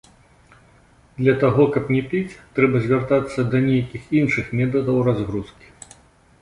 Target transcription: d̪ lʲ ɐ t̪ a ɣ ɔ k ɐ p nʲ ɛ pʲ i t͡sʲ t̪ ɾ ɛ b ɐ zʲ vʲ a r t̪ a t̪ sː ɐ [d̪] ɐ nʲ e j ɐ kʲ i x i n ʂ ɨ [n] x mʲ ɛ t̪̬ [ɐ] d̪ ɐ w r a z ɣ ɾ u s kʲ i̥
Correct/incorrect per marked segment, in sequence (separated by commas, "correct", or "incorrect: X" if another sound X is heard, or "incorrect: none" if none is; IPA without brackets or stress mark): correct, incorrect: none, correct